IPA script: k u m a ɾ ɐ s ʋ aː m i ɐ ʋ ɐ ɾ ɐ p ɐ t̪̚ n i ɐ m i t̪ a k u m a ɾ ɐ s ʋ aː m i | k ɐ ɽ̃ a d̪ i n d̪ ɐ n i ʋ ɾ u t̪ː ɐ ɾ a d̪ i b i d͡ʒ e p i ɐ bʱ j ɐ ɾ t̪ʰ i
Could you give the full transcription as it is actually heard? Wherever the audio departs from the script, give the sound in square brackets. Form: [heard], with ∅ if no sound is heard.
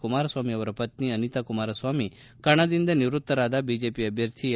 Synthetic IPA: k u m a ɾ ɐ s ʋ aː m i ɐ ʋ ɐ ɾ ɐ p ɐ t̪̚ n i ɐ [n] i t̪ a k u m a ɾ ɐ s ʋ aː m i | k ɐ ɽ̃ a d̪ i n d̪ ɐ n i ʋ ɾ u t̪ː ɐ ɾ a d̪ [a] b i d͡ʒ e p i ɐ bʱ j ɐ ɾ t̪ʰ i